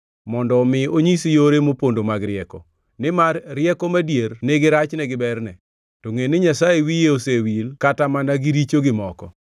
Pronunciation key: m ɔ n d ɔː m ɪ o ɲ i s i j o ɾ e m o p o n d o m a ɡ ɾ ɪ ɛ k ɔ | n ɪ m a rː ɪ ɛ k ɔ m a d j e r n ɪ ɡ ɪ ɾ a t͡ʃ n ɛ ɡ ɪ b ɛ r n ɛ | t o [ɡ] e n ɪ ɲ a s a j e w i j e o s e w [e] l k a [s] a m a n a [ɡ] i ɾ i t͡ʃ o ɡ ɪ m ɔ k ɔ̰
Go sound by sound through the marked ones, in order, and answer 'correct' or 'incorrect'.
incorrect, incorrect, incorrect, correct

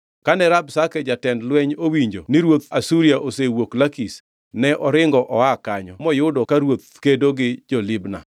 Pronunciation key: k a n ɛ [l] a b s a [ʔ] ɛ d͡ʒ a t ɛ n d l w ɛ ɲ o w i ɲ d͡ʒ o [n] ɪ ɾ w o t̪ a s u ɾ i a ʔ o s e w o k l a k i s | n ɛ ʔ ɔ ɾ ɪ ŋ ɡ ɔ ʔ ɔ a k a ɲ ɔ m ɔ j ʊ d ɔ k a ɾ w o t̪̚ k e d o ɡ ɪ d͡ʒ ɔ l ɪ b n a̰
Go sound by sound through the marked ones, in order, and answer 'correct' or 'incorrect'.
incorrect, incorrect, correct

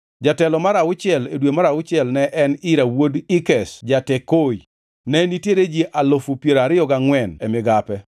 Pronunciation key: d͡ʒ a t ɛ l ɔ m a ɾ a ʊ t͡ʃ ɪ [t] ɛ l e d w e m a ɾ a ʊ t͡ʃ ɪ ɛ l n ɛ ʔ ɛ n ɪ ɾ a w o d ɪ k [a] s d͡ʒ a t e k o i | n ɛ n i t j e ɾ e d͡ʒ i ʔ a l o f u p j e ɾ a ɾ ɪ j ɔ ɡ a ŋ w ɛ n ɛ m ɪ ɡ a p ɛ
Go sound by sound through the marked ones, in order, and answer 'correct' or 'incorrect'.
incorrect, incorrect

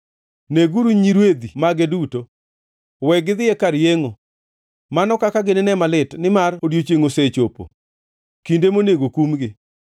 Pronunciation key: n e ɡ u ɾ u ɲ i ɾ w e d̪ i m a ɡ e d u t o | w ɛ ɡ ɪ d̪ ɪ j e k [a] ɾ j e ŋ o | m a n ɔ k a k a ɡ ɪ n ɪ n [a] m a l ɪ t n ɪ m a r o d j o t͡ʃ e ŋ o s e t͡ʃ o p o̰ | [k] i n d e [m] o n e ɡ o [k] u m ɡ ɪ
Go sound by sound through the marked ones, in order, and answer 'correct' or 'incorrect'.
correct, incorrect, correct, correct, correct

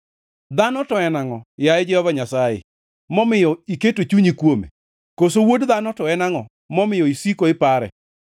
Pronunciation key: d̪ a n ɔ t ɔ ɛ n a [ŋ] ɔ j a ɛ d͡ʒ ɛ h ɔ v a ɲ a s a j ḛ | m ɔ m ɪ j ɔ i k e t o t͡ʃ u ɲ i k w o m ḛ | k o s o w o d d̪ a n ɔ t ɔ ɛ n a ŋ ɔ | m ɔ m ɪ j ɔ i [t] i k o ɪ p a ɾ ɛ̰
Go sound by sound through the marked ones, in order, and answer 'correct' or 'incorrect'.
correct, incorrect

